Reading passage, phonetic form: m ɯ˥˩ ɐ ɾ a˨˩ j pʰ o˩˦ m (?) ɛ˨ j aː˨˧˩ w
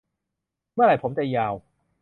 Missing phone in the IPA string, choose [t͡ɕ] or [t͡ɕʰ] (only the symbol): t͡ɕ